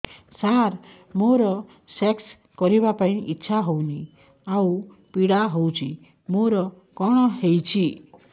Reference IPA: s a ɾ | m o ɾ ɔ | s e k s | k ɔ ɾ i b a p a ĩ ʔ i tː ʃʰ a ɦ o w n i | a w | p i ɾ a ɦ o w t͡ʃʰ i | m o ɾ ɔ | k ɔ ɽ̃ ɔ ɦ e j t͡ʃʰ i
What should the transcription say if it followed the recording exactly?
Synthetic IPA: s a ɾ | m o ɾ ɔ | s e k s | k ɔ ɾ i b a p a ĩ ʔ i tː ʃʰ a ɦ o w n i | a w | p i ɽ a ɦ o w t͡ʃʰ i | m o ɾ ɔ | k ɔ ɽ̃ ɔ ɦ e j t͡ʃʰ i